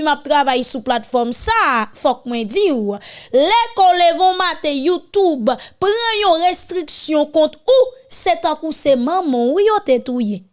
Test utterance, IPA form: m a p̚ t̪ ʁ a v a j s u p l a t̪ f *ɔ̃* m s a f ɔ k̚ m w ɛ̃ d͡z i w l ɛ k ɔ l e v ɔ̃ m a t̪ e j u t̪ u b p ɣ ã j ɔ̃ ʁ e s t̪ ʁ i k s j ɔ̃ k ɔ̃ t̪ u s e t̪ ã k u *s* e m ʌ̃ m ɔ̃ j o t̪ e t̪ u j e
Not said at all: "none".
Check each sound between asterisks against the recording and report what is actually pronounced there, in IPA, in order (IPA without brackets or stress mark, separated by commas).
ɔ, s